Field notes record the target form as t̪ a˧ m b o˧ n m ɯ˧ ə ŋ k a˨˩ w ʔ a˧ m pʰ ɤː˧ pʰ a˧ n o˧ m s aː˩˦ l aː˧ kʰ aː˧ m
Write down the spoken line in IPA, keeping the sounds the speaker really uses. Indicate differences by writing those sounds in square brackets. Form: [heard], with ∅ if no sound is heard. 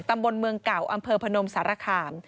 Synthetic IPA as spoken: t̪ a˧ m b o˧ n m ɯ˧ ə ŋ k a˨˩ w ʔ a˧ m pʰ ɤː˧ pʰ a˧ n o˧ m s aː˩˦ [ɾ] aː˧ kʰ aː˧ m